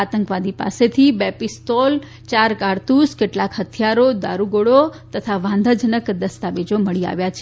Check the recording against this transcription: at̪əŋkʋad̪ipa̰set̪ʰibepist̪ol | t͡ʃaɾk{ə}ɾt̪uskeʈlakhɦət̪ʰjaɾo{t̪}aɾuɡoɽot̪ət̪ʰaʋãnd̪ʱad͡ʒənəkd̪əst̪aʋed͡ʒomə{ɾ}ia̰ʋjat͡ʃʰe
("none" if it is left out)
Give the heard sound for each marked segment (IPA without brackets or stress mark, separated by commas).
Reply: a, d̪, ɭ